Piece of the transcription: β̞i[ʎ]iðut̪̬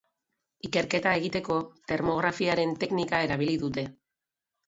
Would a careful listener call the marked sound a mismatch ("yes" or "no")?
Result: yes